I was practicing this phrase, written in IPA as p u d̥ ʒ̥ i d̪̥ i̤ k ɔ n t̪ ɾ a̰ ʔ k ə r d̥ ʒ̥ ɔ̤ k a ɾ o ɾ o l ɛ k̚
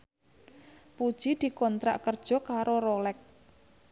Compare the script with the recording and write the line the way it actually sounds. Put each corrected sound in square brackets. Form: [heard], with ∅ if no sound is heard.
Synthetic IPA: p u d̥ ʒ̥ i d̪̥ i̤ k ɔ n t̪ ɾ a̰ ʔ k ə r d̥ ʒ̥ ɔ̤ k a ɾ o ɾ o l ɛ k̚